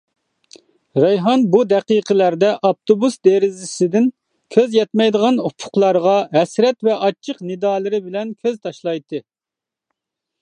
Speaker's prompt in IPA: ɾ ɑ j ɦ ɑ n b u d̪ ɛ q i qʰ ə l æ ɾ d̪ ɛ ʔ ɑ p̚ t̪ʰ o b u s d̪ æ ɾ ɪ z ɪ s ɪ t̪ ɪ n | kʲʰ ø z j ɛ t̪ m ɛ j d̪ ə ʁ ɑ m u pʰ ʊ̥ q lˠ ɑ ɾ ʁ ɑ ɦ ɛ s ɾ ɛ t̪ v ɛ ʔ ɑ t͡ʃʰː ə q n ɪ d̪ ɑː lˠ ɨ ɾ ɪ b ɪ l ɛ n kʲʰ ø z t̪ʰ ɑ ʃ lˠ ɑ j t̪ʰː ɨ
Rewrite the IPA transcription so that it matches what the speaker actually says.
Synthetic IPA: ɾ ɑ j ɦ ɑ n b u d̪ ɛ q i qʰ ə l æ ɾ d̪ ɛ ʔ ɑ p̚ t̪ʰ o b u s d̪ e ɾ ɪ z ɪ s ɪ d̪ ɪ n | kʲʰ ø z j ɛ t̪ m ɛ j d̪ ə ʁ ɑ n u pʰ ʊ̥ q lˠ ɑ ɾ ʁ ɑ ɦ ɛ s ɾ ɛ t̪ v ɛ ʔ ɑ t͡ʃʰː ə q n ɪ d̪ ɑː lˠ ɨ ɾ ɪ b ɪ l ɛ n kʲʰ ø z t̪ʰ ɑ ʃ lˠ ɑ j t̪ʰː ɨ